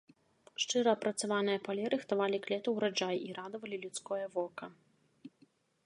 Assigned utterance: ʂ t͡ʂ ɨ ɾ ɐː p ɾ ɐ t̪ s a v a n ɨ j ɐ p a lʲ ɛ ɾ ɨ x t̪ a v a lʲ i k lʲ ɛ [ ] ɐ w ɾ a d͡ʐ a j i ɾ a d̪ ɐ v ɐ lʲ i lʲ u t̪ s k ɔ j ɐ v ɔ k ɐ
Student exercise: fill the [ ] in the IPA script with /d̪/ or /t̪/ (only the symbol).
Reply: t̪